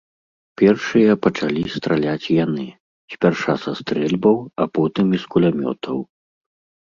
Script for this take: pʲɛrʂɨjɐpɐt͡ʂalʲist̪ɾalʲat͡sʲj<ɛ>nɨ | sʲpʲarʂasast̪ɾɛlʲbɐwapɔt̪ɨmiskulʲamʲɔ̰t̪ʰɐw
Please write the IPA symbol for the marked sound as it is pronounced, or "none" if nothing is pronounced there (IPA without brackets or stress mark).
a